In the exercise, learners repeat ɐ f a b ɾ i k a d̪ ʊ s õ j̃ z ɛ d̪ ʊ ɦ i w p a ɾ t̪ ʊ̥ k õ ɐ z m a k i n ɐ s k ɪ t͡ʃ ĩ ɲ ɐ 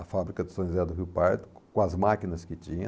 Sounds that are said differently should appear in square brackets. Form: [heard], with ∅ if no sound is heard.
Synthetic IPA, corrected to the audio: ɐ f a b ɾ i k [ɐ] d̪ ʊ s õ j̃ z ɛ d̪ ʊ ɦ i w p a ɾ t̪ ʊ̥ k õ ɐ z m a k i n ɐ s k ɪ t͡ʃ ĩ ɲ ɐ